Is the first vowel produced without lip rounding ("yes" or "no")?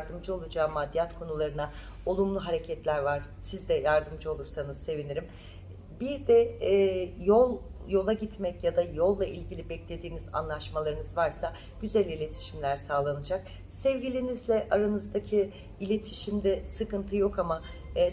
yes